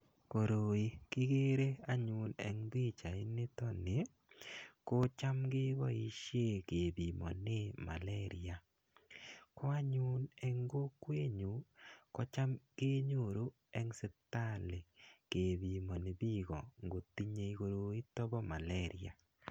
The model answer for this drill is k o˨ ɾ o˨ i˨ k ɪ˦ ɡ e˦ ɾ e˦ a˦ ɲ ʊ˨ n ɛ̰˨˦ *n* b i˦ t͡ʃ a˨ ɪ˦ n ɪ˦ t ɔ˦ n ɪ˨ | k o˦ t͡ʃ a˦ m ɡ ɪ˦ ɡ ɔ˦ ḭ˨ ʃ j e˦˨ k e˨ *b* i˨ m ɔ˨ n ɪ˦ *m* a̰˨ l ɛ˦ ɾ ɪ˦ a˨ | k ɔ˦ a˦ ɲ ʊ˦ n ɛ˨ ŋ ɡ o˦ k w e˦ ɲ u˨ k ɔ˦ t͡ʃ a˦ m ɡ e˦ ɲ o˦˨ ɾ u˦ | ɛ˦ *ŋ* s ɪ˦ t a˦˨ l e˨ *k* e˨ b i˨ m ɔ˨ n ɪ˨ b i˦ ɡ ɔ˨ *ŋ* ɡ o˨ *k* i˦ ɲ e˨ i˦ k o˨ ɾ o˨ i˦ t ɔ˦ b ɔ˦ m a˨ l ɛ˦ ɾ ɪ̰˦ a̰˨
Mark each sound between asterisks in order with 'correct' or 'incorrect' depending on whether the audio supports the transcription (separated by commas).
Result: incorrect, correct, correct, correct, correct, correct, incorrect